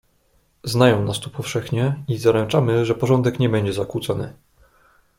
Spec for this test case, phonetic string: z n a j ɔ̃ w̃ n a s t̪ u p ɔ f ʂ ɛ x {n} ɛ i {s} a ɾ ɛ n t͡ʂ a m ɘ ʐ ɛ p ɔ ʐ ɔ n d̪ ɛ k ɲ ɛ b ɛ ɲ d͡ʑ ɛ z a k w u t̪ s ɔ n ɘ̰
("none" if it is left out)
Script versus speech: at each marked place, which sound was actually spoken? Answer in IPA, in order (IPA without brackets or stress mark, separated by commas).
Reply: ɲ, z